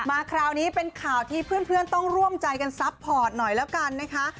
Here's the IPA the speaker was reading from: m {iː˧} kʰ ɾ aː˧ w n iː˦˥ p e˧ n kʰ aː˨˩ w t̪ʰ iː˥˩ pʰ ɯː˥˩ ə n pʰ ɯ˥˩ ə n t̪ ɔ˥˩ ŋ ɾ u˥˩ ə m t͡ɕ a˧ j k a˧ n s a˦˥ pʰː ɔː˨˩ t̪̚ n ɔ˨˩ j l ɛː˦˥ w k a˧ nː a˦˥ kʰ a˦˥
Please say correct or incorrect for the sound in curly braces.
incorrect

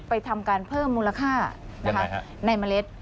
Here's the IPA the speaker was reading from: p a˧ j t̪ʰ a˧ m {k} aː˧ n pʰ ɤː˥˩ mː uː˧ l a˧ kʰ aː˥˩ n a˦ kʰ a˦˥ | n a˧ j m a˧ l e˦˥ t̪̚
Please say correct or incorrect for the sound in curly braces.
correct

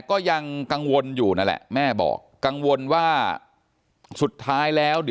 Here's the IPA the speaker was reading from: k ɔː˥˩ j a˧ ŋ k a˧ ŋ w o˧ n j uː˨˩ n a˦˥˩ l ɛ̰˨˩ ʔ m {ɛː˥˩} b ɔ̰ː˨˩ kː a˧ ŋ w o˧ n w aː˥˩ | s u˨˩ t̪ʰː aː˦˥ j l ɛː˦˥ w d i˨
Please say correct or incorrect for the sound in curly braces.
correct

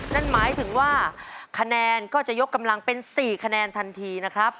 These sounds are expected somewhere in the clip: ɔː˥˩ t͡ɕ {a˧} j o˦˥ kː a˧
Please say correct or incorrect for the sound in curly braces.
incorrect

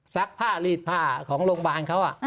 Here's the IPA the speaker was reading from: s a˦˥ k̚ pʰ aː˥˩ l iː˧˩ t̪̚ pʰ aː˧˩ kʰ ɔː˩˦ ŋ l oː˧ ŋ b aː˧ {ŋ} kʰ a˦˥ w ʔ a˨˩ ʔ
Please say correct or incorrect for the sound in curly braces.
incorrect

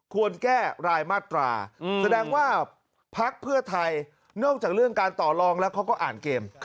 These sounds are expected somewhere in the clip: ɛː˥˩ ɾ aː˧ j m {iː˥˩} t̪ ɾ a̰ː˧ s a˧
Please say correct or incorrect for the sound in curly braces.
incorrect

